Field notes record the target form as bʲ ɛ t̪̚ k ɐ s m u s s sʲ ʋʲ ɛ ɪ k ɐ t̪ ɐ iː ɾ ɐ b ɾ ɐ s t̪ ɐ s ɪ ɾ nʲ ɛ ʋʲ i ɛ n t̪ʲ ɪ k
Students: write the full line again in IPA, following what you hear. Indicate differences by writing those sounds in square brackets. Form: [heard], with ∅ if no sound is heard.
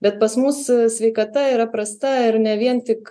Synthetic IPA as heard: bʲ ɛ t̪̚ [p] ɐ s m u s s sʲ ʋʲ ɛ ɪ k ɐ t̪ ɐ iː ɾ ɐ [p] ɾ ɐ s t̪ ɐ [∅] ɪ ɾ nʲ ɛ ʋʲ i ɛ n t̪ʲ ɪ k